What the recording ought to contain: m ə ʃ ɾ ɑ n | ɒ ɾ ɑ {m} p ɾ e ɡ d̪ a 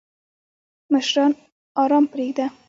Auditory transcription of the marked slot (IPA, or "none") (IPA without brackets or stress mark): m